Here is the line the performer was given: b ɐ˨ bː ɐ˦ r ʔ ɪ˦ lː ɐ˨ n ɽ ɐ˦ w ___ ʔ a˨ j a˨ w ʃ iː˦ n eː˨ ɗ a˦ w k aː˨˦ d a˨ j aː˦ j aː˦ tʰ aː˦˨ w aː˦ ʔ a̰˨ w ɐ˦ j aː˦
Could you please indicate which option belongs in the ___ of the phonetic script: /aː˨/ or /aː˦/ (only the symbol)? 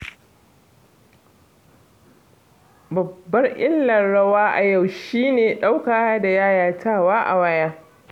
aː˦